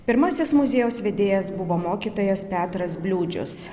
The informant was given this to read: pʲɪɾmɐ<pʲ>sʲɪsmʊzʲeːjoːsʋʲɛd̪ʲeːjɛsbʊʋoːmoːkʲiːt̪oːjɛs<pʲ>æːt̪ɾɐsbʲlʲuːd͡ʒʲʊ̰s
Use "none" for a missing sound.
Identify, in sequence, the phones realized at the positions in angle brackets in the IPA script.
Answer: none, pʲ

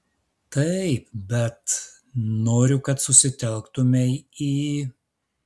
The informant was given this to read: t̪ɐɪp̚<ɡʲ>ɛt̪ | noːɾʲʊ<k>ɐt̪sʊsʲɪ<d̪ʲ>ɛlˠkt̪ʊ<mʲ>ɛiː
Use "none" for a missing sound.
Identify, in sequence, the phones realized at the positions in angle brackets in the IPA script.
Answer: bʲ, k, t̪ʲ, mʲ

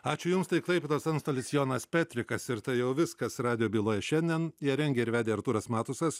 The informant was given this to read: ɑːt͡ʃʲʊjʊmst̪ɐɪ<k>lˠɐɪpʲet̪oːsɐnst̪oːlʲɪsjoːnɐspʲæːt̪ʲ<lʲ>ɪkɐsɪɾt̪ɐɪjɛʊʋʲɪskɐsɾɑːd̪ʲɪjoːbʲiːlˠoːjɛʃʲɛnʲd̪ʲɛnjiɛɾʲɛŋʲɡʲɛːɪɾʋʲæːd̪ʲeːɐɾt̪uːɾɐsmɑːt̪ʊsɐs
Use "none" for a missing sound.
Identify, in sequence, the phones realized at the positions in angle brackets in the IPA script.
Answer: k, ɾʲ

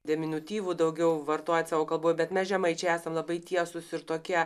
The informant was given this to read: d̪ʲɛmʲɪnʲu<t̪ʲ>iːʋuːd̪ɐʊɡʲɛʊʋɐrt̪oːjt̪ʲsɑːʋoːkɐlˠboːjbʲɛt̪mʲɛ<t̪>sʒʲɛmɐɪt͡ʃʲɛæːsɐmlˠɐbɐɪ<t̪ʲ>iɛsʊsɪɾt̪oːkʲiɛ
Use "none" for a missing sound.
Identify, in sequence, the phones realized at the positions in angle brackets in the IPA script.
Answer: t̪ʲ, none, t̪ʲ

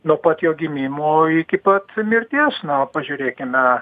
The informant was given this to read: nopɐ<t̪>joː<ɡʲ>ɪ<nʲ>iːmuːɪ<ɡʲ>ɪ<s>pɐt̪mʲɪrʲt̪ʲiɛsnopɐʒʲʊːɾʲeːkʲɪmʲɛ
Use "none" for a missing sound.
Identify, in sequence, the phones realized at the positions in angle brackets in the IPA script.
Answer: t̪, ɡʲ, mʲ, kʲ, none

